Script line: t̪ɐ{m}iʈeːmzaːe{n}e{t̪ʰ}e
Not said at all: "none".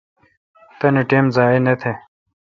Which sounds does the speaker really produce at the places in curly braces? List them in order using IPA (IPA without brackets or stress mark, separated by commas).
n, n, t̪ʰ